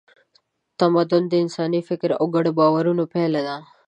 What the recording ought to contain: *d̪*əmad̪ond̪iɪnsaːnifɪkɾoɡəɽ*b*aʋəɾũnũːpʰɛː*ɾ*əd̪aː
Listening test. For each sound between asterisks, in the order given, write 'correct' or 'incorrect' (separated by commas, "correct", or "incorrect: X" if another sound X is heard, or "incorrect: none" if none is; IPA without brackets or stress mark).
incorrect: t̪, correct, incorrect: l